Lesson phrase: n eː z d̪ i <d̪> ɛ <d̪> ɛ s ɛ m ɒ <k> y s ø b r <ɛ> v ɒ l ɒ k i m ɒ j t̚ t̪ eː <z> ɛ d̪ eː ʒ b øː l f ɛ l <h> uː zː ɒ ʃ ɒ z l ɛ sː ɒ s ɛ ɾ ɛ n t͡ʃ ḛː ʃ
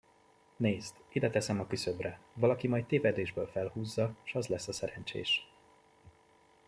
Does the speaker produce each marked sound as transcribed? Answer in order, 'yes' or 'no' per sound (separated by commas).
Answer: yes, no, yes, yes, no, yes